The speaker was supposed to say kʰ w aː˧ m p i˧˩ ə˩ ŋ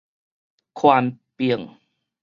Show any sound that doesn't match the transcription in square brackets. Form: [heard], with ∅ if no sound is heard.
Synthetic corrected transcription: kʰ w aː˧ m p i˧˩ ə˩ ŋ